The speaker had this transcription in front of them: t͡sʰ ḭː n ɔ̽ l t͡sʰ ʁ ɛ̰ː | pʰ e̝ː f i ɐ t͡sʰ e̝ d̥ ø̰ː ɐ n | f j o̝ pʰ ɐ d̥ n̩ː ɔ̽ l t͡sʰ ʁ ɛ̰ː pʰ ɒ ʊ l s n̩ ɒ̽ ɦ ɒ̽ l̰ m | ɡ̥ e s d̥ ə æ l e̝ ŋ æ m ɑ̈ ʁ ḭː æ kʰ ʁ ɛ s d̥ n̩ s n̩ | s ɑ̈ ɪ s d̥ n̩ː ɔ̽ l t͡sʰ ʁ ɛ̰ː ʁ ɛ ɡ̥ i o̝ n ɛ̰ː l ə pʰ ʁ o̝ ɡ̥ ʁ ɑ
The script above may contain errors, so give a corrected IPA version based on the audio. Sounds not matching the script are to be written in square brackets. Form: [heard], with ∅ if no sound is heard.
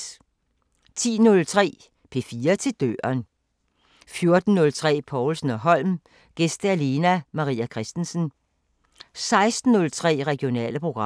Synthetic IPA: t͡sʰ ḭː n ɔ̽ l t͡sʰ ʁ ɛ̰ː | pʰ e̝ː f [iː] ɐ t͡sʰ e̝ d̥ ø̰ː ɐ n | f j o̝ [∅] ɐ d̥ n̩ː ɔ̽ l t͡sʰ ʁ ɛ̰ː pʰ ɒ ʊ l s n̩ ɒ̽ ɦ ɒ̽ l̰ m | ɡ̥ e s d̥ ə æ l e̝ [n] æ m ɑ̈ ʁ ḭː æ kʰ ʁ ɛ s d̥ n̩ s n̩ | s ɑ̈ ɪ s d̥ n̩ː ɔ̽ l t͡sʰ ʁ ɛ̰ː ʁ ɛ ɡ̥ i o̝ n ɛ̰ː l ə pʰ ʁ o̝ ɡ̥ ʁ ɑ